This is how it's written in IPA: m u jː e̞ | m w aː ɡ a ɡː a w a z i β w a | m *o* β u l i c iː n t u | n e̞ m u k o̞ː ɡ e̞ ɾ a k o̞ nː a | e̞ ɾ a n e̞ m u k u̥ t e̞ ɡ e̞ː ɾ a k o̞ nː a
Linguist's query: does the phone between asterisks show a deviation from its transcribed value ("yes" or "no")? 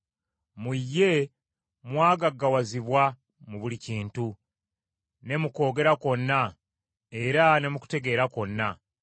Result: yes